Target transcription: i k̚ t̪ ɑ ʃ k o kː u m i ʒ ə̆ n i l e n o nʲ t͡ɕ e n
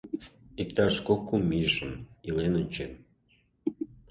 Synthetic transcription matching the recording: i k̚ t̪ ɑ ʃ k o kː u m i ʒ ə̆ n i l e n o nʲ t͡ɕ e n

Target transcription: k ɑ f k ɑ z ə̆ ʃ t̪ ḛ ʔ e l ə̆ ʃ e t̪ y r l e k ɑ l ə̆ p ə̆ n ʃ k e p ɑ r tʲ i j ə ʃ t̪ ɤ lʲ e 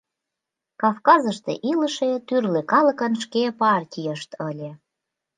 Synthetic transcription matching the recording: k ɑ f k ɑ z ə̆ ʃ t̪ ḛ ʔ i l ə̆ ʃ e t̪ y r l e k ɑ l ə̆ k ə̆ n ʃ k e p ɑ r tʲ i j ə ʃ t̪ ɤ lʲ e

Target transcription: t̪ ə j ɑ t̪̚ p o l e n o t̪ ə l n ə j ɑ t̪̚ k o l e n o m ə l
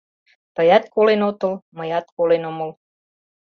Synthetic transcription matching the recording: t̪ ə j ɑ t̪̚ k o l e n o t̪ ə l m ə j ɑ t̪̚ k o l e n o m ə l

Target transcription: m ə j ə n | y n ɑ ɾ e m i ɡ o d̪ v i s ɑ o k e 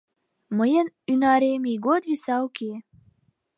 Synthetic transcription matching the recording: m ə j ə n | y n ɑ ɾ e m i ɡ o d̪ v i s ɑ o k e

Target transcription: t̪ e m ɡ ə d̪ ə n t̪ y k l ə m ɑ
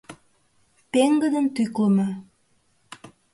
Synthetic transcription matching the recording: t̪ e ŋ ɡ ə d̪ ə n t̪ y k l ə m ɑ

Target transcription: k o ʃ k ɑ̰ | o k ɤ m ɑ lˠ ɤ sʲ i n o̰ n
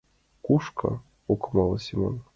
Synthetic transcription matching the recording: k u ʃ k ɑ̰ | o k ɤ m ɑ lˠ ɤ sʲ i m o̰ n

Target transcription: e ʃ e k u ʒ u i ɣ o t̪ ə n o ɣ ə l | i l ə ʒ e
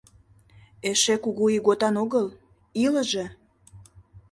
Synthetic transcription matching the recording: e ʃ e k u ɣ u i ɣ o t̪ ɑ n o ɣ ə l | i l ə ʒ e

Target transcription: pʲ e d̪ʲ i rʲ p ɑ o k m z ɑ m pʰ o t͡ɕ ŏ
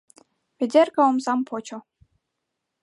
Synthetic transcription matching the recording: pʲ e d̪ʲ e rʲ k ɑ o m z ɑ m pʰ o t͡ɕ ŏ

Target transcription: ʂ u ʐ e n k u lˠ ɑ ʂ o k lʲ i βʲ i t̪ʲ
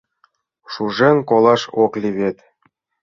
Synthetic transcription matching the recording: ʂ u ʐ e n k o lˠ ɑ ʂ o k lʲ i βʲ e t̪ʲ

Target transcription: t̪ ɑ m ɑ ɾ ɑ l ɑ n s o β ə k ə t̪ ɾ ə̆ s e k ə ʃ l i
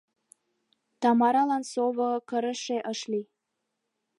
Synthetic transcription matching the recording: t̪ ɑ m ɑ ɾ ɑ l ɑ n s o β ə k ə ɾ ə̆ ʃ e ʔ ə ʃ l i

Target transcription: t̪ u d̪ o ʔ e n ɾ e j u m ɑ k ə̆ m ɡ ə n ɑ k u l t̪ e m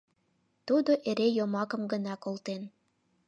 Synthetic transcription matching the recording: t̪ u d̪ o ʔ e ɾ e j o m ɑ k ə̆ m ɡ ə n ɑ k o l t̪ e n

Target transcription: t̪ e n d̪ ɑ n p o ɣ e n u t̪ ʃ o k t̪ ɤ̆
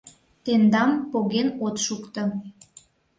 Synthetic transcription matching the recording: t̪ e n d̪ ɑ m p o ɣ e n o t̪ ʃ u k t̪ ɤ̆

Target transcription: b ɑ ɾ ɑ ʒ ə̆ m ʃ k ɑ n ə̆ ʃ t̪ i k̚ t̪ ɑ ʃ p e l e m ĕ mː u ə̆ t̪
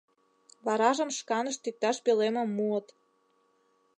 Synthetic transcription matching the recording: β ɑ ɾ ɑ ʒ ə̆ m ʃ k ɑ n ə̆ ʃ t̪ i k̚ t̪ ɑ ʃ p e l e m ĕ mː u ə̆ t̪

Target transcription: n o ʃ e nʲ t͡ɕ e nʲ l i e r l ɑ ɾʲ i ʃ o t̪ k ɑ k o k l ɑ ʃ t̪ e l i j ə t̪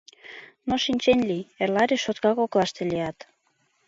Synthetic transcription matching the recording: n o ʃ i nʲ t͡ɕ e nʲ l i e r l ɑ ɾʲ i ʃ o t̪ k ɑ k o k l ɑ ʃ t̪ e l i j ɑ t̪

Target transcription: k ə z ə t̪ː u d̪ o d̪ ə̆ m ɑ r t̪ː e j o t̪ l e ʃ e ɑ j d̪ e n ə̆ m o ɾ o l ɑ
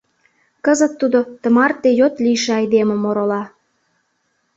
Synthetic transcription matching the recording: k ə z ə t̪ː u d̪ o t̪ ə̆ m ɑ r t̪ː e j o t̪ l i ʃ e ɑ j d̪ e m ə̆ m o ɾ o l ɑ

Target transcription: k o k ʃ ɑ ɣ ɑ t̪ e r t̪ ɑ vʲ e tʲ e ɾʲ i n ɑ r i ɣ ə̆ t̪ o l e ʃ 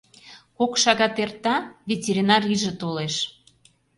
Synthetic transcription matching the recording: k o k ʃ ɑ ɣ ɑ t̪ e r t̪ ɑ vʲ e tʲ e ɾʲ i n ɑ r i ʒ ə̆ t̪ o l e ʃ

